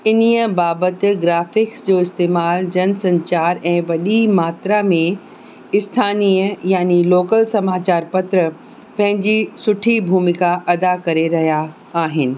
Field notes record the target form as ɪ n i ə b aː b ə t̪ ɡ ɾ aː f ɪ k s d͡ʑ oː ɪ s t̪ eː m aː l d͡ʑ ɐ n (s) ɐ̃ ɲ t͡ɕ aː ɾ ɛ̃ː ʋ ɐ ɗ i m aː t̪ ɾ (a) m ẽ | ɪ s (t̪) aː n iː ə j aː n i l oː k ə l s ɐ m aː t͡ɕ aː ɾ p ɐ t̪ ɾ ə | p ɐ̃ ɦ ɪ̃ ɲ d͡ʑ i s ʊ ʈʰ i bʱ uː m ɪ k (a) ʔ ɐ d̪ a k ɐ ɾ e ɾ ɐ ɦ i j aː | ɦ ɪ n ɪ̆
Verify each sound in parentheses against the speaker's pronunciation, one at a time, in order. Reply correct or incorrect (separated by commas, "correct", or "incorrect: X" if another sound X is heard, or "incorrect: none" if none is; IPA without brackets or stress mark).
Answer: correct, correct, incorrect: t̪ʰ, correct